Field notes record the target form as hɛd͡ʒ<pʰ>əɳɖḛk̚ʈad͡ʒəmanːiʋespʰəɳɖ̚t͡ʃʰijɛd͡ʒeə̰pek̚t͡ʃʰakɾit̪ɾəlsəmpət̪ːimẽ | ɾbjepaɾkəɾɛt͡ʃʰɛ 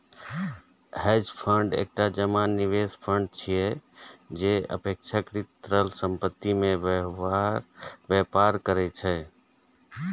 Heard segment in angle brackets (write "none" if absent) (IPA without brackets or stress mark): pʰ